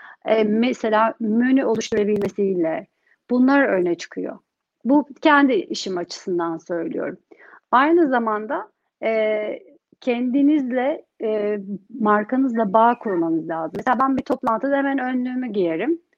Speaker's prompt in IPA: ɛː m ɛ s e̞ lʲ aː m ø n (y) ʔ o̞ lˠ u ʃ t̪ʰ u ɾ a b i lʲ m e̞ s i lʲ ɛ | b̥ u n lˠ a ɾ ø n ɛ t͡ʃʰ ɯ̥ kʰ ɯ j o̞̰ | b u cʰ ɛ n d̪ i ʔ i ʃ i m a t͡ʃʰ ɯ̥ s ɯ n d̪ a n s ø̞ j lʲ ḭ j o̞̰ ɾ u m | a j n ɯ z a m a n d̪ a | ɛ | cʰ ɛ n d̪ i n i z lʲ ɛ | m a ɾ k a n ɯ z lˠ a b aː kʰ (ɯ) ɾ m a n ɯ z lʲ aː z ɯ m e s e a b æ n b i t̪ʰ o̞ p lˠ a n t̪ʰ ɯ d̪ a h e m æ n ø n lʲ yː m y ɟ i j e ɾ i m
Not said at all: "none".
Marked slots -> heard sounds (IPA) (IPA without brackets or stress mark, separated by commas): y, u